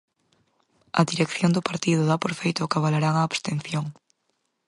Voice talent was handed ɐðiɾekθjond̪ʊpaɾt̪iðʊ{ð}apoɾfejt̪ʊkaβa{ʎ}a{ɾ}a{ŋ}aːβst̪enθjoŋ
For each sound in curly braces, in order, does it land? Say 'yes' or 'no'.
yes, no, yes, yes

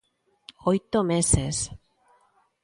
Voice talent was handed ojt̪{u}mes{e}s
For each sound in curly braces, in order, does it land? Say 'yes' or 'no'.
no, yes

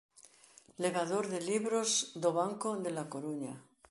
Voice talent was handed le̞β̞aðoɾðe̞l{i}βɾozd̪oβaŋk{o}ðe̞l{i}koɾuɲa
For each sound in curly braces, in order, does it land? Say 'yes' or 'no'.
yes, yes, no

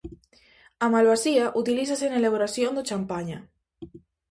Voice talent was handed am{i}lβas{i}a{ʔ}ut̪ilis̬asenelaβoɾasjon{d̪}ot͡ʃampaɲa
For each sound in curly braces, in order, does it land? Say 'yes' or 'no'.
no, yes, yes, yes

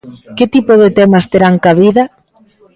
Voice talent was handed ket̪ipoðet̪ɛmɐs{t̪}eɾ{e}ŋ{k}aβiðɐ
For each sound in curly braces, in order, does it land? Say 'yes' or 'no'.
yes, no, yes

